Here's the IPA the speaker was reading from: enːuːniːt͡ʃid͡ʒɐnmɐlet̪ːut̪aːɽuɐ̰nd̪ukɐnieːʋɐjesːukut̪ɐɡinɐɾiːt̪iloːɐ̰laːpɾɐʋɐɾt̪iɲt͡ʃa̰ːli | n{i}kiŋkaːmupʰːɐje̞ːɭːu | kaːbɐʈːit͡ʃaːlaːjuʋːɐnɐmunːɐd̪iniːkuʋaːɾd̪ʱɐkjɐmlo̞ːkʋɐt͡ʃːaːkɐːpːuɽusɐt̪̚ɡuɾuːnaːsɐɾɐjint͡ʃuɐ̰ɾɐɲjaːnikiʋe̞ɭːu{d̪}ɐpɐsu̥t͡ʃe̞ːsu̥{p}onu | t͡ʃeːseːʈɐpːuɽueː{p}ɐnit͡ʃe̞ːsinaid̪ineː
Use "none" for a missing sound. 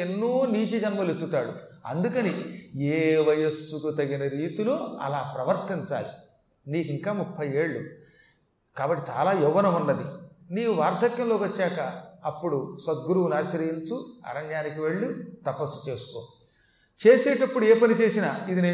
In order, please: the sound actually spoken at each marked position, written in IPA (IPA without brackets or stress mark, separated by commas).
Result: iː, t̪, k, p